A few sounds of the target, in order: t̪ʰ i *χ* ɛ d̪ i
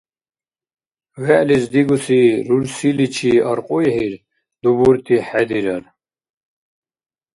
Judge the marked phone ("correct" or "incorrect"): incorrect